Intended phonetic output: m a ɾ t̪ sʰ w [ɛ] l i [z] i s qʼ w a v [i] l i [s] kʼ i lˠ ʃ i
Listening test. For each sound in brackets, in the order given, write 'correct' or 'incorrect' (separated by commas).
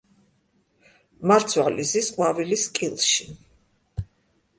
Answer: incorrect, correct, correct, correct